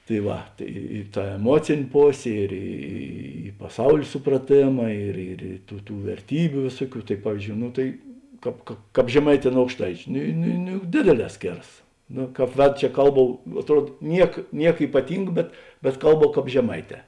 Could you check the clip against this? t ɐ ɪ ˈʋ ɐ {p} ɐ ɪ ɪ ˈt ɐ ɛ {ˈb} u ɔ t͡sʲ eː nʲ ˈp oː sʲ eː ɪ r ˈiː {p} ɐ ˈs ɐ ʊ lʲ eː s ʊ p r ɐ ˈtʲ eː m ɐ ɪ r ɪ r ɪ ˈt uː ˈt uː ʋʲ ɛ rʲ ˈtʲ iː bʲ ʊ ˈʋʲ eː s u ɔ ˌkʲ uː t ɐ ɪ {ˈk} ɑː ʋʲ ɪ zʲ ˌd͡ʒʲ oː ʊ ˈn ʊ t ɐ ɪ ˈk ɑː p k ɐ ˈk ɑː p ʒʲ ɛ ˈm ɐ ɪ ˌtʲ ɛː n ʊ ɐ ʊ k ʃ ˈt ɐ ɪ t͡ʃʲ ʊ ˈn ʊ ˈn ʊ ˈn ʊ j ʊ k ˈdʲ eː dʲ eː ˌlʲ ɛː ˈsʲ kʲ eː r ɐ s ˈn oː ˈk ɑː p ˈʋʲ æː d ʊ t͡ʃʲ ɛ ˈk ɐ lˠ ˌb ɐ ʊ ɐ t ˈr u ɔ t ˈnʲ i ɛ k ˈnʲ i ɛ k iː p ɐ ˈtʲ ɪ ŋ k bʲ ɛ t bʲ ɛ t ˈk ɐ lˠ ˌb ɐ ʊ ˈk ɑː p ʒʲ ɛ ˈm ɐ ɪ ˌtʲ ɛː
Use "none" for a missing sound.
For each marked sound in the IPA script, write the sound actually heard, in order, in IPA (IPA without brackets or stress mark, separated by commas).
t, m, p, p